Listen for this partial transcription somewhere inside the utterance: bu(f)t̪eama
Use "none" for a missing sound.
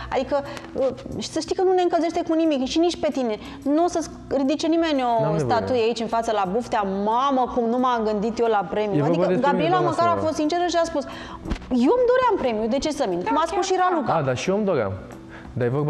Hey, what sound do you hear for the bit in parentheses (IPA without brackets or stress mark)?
f